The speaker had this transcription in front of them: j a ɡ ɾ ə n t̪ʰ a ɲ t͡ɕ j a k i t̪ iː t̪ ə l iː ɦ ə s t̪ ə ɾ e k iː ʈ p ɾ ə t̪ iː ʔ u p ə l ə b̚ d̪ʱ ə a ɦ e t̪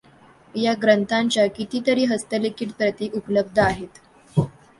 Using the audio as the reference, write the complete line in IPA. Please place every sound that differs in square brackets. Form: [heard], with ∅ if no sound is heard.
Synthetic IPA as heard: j a ɡ ɾ ə n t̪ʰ a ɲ t͡ɕ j a k i t̪ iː t̪ ə [ɾ] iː ɦ ə s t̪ ə [l] e k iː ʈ p ɾ ə t̪ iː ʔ u p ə l ə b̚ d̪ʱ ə a ɦ e t̪